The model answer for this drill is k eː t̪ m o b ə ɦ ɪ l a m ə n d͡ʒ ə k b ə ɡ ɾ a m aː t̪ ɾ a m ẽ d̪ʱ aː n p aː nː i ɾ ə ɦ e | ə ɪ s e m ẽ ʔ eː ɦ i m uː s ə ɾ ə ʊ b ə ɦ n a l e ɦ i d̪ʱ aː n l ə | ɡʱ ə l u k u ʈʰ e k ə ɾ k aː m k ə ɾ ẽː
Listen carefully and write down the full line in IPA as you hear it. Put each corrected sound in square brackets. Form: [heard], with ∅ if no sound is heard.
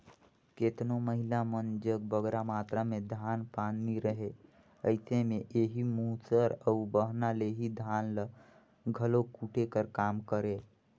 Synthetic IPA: k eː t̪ [n] o [m] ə ɦ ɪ l a m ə n d͡ʒ ə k b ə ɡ ɾ a m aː t̪ ɾ a m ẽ d̪ʱ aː n p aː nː i ɾ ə ɦ e | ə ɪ s e m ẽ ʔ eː ɦ i m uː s ə ɾ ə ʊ b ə ɦ n a l e ɦ i d̪ʱ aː n l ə | ɡʱ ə l [o] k u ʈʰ e k ə ɾ k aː m k ə ɾ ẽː